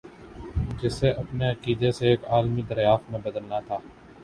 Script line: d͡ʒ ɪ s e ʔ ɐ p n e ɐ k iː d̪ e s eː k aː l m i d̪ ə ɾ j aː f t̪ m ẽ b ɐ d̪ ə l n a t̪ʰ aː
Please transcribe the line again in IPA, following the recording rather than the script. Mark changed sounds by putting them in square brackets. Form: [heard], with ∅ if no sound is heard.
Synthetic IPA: d͡ʒ ɪ s e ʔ ɐ p n e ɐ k iː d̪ e s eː k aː l m i d̪ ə ɾ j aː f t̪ m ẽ b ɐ d̪ ə l n a t̪ʰ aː